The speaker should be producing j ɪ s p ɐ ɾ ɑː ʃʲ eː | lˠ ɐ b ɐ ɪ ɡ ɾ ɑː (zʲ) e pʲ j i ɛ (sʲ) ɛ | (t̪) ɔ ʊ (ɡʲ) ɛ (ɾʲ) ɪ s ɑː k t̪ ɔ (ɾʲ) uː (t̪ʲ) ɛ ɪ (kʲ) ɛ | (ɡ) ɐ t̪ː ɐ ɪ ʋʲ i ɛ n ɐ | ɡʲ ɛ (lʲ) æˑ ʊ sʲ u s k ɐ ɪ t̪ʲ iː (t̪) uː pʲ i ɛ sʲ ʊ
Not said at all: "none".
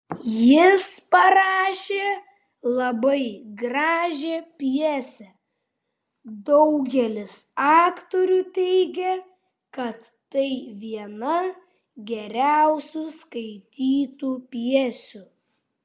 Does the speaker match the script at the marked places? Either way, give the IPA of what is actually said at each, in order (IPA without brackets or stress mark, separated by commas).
ʒʲ, sʲ, d̪, ɡʲ, lʲ, ɾʲ, t̪ʲ, ɡʲ, k, ɾʲ, t̪